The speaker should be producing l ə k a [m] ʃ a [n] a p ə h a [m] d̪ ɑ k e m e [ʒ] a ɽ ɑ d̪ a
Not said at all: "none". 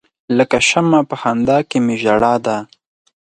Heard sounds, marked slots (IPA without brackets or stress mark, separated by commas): none, m, n, ʒ